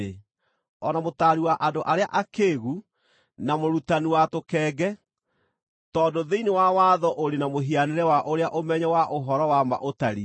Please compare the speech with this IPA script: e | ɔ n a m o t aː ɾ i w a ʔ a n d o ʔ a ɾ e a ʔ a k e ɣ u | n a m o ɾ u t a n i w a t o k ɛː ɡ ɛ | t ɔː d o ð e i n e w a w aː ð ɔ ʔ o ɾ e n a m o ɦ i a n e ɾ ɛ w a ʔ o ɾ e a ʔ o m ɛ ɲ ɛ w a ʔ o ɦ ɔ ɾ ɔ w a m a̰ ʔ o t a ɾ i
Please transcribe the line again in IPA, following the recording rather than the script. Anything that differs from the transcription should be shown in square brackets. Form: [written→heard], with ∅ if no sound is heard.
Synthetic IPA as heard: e | ɔ n a m o t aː ɾ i w a ʔ a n d o ʔ a ɾ e a ʔ a k e ɣ u | n a m o ɾ u t a n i w a t o k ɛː ɡ ɛ | t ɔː d o ð e i n e w a w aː ð ɔ ʔ o ɾ e n a m o ɦ i a n e ɾ ɛ w a ʔ o ɾ e a ʔ o m ɛ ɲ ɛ w a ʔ o ɦ ɔ ɾ ɔ w a m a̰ ʔ o t a ɾ i